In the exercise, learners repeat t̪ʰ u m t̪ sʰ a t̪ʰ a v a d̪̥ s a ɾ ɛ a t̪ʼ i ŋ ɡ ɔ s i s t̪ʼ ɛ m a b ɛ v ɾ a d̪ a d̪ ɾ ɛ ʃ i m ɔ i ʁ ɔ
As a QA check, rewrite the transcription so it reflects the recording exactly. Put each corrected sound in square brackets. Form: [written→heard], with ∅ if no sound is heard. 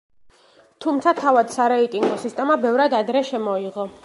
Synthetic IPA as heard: t̪ʰ u m t̪ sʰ a t̪ʰ a v a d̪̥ s a ɾ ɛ [a→i] t̪ʼ i ŋ ɡ ɔ s i s t̪ʼ ɛ m a b ɛ v ɾ a d̪ a d̪ ɾ ɛ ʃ [i→ɛ] m ɔ i ʁ ɔ